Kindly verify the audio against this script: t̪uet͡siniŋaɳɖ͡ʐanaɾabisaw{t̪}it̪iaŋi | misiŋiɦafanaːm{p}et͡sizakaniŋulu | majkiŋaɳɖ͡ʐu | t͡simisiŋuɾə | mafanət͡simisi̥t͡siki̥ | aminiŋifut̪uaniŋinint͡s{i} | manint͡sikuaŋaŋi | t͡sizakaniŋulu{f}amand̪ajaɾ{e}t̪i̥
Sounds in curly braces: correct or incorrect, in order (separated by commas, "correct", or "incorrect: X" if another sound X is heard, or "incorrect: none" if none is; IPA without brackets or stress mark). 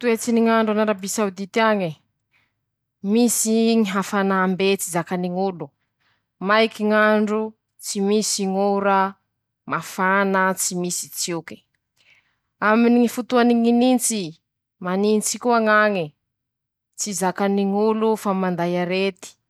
incorrect: d̪, incorrect: b, correct, correct, correct